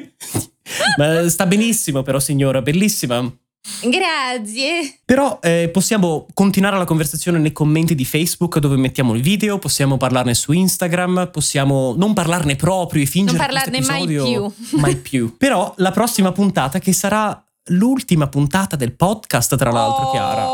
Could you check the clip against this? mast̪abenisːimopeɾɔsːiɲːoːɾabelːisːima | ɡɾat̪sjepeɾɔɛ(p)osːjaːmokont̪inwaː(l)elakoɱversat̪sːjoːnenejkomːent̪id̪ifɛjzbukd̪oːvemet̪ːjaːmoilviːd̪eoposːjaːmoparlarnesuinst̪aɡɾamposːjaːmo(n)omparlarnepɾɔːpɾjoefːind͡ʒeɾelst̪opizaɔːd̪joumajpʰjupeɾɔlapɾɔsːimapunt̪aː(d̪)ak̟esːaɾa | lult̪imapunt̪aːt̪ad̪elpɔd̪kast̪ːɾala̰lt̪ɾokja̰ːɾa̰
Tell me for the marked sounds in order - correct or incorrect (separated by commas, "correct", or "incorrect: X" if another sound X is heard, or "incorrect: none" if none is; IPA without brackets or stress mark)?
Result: correct, incorrect: ɾ, correct, incorrect: t̪